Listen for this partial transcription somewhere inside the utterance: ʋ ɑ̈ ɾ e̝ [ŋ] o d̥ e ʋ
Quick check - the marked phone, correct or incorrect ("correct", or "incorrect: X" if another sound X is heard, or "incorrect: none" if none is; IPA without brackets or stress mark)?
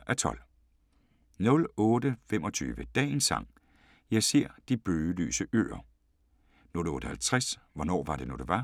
incorrect: n